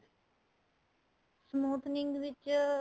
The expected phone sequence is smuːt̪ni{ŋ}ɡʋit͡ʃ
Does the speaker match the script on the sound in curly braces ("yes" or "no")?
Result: yes